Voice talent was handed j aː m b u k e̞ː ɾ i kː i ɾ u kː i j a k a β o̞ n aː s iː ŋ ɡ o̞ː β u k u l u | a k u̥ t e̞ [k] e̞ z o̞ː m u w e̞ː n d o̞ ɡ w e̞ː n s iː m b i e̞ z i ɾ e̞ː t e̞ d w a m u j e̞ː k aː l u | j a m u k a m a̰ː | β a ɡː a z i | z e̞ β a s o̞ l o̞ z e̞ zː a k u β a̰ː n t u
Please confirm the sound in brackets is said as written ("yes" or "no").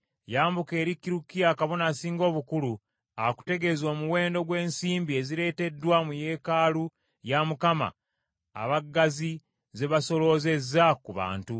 no